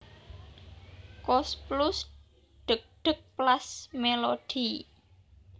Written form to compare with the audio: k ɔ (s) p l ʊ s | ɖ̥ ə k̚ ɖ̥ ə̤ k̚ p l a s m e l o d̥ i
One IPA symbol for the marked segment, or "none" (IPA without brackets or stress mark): s